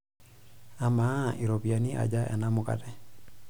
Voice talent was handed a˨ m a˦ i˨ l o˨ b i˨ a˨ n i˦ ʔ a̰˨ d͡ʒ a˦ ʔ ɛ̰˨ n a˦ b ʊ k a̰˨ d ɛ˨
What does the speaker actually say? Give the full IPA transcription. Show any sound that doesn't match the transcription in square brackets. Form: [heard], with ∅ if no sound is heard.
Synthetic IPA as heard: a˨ m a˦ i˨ [ɾ] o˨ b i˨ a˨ n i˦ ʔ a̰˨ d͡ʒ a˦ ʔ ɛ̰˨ n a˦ [m] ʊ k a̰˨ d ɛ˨